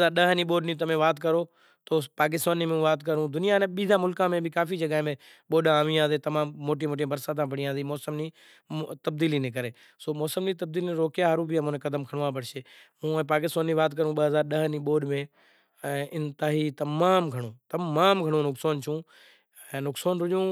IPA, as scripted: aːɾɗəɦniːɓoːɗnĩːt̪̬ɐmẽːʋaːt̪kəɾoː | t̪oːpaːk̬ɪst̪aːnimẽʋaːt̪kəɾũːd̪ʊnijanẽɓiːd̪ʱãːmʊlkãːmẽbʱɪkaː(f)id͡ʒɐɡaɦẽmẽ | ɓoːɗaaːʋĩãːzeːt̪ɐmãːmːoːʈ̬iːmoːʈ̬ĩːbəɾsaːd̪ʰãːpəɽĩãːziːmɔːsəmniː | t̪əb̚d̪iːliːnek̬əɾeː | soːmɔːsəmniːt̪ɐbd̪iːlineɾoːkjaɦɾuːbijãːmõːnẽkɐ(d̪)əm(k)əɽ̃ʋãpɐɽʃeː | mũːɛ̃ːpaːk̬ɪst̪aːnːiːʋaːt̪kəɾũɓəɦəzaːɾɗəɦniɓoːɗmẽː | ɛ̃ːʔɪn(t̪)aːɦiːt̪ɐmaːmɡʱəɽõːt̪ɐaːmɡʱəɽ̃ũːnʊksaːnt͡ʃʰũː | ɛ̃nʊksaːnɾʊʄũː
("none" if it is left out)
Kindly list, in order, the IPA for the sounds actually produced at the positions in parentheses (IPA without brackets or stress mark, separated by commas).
f, d̪, kʰ, t̪